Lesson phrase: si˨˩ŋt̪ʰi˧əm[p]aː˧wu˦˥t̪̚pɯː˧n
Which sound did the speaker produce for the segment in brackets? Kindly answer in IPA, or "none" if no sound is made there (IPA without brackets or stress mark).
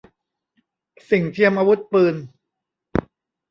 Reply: ʔ